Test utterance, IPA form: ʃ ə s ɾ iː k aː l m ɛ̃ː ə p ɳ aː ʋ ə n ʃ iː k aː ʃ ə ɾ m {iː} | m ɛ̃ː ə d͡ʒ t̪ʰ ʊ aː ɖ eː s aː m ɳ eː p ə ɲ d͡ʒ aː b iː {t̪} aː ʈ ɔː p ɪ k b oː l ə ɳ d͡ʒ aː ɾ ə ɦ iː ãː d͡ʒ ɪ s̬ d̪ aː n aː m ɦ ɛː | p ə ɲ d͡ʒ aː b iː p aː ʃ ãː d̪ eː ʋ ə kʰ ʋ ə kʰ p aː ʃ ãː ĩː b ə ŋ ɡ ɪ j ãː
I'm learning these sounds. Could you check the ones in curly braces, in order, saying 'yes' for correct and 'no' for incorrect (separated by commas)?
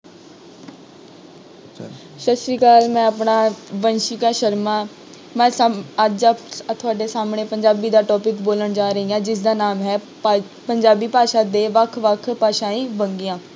no, no